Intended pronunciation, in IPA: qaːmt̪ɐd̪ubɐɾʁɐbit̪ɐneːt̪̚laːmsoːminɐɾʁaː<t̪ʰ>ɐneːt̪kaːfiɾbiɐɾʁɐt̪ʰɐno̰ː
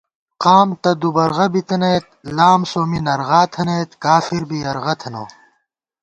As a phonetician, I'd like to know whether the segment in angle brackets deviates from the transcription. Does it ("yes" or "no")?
no